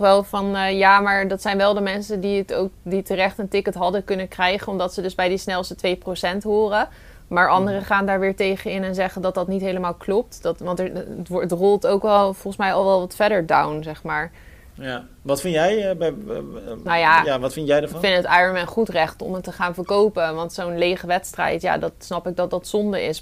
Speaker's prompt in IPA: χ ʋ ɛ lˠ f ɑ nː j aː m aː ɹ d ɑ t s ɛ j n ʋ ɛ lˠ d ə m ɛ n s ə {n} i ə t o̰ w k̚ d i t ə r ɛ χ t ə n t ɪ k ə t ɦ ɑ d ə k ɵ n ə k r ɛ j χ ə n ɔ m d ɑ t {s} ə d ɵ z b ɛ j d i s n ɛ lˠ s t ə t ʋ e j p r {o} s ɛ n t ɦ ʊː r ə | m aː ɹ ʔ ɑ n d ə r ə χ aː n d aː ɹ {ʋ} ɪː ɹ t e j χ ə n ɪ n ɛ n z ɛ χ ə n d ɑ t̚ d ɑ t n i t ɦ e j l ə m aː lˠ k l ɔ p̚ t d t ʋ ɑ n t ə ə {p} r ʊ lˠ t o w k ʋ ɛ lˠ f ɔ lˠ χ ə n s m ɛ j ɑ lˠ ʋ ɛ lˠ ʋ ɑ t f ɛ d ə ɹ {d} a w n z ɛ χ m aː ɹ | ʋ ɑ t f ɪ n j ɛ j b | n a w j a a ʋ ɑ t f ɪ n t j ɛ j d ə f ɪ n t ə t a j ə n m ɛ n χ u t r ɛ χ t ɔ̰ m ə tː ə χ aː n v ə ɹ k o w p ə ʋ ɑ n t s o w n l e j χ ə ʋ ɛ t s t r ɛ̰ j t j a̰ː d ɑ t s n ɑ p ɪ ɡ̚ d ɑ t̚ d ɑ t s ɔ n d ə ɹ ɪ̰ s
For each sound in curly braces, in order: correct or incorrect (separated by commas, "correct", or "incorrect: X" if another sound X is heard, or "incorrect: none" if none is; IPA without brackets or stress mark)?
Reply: incorrect: d, correct, correct, correct, incorrect: t, correct